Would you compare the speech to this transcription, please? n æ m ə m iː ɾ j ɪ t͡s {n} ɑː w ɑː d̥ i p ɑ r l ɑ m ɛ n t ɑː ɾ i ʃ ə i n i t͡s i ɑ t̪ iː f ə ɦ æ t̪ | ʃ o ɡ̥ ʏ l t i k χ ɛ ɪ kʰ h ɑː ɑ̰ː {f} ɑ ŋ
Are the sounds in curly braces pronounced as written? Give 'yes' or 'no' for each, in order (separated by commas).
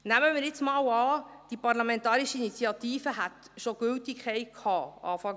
no, yes